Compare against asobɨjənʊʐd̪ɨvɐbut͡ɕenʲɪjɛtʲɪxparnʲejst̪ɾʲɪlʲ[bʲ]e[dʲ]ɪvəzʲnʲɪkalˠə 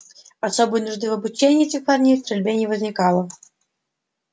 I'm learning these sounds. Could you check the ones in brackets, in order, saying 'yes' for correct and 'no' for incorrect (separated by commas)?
yes, no